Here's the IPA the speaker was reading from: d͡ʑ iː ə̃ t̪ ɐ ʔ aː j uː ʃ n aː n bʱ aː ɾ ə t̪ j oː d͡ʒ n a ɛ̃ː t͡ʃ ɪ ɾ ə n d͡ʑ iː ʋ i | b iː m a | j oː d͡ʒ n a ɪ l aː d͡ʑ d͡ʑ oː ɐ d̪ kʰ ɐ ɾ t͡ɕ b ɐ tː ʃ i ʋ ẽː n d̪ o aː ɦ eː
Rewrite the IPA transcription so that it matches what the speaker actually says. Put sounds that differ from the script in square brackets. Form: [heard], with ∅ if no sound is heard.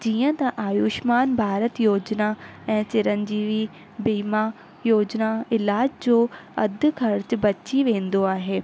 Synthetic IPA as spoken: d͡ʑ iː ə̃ t̪ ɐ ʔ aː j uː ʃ [m] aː n bʱ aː ɾ ə t̪ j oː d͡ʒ n a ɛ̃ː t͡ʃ ɪ ɾ ə n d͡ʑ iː ʋ i | b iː m a | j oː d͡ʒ n a ɪ l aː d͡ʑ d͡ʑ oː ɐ d̪ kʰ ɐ ɾ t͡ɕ b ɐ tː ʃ i ʋ ẽː n d̪ o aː ɦ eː

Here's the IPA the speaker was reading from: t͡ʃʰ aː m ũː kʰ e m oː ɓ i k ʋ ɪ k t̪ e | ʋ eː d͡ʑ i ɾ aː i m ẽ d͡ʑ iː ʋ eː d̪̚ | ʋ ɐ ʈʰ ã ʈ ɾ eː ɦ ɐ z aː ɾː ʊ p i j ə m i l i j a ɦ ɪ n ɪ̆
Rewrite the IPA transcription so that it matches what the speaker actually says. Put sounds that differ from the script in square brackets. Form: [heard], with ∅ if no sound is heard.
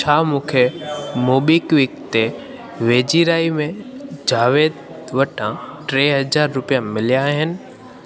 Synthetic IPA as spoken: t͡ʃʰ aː m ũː kʰ e m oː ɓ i k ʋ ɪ k t̪ e | ʋ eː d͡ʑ i ɾ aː i m ẽ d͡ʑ [aː] ʋ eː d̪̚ | ʋ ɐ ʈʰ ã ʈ ɾ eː ɦ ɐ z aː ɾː ʊ p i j [a] m [ɪ] l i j a ɦ ɪ n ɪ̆

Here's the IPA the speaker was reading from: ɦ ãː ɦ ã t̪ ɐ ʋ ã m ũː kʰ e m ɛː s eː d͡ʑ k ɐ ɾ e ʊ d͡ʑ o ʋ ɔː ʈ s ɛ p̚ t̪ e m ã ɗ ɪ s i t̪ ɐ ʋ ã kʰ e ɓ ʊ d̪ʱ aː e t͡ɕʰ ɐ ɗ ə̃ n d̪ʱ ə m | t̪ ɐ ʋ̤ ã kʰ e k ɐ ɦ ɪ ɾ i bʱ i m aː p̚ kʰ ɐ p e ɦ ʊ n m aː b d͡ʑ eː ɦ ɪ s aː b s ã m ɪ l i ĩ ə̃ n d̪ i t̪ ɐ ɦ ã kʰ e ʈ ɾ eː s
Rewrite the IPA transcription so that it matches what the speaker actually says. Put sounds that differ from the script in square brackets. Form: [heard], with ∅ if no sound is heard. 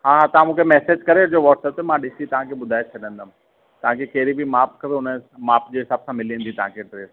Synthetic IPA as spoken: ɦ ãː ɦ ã t̪ ɐ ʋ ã m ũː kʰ e m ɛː s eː d͡ʑ k ɐ ɾ e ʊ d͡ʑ o ʋ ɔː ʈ s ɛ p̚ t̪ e m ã ɗ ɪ s i t̪ ɐ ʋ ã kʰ e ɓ ʊ d̪ʱ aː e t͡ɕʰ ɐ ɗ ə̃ n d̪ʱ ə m | t̪ ɐ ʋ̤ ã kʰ e k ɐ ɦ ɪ ɾ i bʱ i m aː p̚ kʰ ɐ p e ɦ ʊ n m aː [p] d͡ʑ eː ɦ ɪ s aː b s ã m ɪ l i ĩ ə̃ n d̪ i t̪ ɐ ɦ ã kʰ e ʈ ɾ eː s

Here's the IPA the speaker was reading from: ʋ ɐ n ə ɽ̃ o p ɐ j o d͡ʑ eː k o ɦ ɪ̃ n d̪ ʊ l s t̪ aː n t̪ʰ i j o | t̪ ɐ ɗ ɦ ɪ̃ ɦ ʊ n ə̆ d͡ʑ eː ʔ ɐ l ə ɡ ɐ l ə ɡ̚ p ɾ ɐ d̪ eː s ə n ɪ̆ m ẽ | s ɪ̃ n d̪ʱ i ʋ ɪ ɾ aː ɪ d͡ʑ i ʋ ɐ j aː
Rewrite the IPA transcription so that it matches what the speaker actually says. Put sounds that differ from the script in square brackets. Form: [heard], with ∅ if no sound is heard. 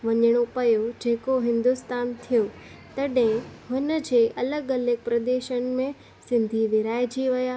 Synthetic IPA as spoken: ʋ ɐ [ɲ] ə ɽ̃ o p ɐ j o d͡ʑ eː k o ɦ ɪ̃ n d̪ ʊ [∅] s t̪ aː n t̪ʰ i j o | t̪ ɐ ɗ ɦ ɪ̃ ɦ ʊ n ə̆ d͡ʑ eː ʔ ɐ l ə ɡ ɐ l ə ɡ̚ p ɾ ɐ d̪ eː [ʃ] ə n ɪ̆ m ẽ | s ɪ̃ n d̪ʱ i ʋ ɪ ɾ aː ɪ d͡ʑ i ʋ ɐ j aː

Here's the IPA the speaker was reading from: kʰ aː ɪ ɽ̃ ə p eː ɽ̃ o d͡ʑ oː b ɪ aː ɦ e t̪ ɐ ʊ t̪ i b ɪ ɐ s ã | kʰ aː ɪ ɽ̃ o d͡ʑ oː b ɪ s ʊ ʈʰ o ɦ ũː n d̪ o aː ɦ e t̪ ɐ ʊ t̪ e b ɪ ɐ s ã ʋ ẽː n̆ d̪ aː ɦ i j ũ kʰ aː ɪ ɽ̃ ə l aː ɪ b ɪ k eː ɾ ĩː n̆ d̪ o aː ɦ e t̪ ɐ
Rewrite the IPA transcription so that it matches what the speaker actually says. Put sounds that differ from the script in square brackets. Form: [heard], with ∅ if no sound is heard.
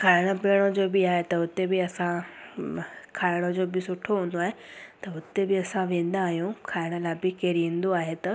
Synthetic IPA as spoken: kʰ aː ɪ ɽ̃ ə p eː ɽ̃ o d͡ʑ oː b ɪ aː ɦ e t̪ ɐ ʊ t̪ [e] b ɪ ɐ s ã | kʰ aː ɪ ɽ̃ o d͡ʑ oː b ɪ s ʊ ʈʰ o ɦ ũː n d̪ o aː ɦ e t̪ ɐ ʊ t̪ e b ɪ ɐ s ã ʋ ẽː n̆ d̪ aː ɦ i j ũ kʰ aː ɪ ɽ̃ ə l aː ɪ b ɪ k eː ɾ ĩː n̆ d̪ o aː ɦ e t̪ ɐ

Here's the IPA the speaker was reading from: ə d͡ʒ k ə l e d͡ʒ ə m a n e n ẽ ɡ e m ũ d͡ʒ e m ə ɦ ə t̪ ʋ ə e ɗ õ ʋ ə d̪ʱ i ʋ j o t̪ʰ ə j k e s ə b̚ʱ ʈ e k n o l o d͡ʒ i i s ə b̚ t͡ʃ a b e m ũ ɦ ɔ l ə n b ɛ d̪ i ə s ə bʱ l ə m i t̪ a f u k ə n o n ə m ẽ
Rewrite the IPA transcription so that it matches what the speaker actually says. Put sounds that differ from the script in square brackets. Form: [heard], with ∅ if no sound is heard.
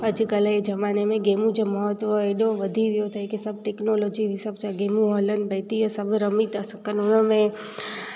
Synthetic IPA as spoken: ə d͡ʒ k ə l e d͡ʒ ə m a n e [m] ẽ ɡ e m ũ d͡ʒ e m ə ɦ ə t̪ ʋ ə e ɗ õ ʋ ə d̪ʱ i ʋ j o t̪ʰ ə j k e s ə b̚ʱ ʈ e k n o l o d͡ʒ i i s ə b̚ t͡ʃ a [ɡ] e m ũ ɦ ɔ l ə n b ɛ [t̪] i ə s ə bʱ [ɾ] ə m i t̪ a [s] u k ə n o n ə m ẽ

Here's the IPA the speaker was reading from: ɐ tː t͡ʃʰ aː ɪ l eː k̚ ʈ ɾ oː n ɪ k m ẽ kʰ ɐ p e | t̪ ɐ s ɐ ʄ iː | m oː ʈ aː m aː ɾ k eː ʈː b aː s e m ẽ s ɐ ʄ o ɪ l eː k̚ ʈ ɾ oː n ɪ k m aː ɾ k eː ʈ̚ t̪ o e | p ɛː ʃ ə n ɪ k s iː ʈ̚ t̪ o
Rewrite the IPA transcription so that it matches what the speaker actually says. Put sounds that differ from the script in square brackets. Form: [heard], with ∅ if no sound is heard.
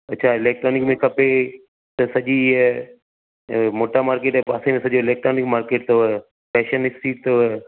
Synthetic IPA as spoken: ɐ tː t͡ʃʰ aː ɪ l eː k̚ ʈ ɾ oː n ɪ k m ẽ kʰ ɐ p e | t̪ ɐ s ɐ ʄ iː | m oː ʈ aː m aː ɾ k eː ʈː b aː s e m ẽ s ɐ ʄ o ɪ l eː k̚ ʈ ɾ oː n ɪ k m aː ɾ k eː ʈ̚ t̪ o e | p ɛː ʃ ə n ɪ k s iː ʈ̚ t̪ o

